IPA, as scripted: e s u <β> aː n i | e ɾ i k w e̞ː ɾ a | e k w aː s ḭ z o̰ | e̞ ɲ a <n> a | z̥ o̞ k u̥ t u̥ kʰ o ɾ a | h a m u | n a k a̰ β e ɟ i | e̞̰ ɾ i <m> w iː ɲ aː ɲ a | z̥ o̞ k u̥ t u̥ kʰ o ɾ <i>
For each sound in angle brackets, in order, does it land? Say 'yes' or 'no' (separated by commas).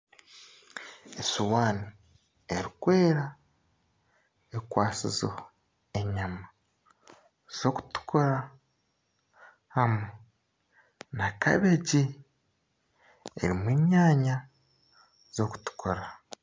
no, no, yes, no